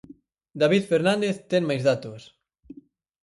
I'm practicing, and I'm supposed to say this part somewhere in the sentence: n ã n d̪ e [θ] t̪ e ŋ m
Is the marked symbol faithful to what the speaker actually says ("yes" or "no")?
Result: yes